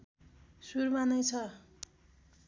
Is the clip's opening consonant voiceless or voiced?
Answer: voiceless